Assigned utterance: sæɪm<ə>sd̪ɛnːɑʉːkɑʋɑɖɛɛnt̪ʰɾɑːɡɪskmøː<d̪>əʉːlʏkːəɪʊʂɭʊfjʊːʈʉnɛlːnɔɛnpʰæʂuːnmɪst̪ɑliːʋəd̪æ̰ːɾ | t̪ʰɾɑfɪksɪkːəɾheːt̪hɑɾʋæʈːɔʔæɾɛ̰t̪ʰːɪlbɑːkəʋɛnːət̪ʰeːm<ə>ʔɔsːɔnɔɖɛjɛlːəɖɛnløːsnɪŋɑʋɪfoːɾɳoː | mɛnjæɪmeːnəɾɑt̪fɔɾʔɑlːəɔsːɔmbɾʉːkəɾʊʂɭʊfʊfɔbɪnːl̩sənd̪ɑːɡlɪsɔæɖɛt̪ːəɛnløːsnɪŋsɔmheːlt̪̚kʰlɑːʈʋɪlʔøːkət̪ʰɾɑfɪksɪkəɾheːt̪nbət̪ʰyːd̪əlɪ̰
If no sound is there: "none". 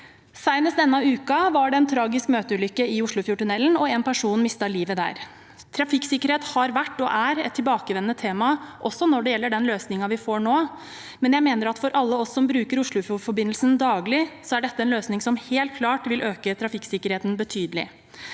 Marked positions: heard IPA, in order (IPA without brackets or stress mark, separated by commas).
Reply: ə, t̪, ɑ